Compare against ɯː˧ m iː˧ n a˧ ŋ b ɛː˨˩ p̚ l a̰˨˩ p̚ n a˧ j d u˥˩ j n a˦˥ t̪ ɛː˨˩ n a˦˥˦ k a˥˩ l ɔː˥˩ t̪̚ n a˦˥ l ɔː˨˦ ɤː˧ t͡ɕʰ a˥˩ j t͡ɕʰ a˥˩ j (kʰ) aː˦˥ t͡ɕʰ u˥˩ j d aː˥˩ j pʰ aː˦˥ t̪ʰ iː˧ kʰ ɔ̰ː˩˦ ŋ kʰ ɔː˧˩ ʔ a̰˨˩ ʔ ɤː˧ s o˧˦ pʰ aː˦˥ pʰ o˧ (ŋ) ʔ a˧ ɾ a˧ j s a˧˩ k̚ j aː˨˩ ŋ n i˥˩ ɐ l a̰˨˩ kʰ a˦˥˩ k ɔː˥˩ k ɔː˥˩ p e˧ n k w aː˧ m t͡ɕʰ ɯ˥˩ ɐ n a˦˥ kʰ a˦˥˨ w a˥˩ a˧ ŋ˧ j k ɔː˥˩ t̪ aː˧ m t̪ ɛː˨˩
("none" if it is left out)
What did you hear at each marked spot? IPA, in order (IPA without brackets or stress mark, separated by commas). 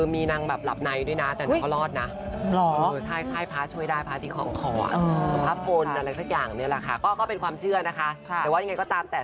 pʰ, n